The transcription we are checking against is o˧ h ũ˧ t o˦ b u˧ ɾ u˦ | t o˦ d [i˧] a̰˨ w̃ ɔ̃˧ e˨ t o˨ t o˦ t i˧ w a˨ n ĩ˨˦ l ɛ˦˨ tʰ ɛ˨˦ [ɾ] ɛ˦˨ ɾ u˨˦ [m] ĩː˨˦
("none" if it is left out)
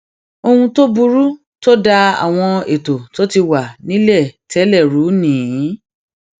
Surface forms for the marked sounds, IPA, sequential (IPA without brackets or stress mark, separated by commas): a˧, l, n